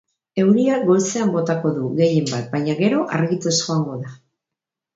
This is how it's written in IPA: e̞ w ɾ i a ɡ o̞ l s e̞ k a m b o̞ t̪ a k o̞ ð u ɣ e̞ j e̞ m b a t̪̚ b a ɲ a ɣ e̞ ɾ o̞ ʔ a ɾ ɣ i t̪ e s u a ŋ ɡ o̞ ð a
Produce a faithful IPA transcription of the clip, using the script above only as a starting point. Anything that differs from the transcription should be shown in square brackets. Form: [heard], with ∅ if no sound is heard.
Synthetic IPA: e̞ w ɾ i a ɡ o̞ l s e̞ [∅] a m b o̞ t̪ a k o̞ ð u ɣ e̞ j e̞ m b a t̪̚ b a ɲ a ɣ e̞ ɾ o̞ ʔ a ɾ ɣ i t̪ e s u a ŋ ɡ o̞ ð a